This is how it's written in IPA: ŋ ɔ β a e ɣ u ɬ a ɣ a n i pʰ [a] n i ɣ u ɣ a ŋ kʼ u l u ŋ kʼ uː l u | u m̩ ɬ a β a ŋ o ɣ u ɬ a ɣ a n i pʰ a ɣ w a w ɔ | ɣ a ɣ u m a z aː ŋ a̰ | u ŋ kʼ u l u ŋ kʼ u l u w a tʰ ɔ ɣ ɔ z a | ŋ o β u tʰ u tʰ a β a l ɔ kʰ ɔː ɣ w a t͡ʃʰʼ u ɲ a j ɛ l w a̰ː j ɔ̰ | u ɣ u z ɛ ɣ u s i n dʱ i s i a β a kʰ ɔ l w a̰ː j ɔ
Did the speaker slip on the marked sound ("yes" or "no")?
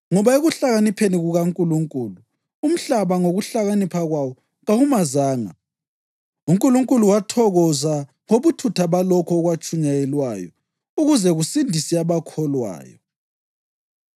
yes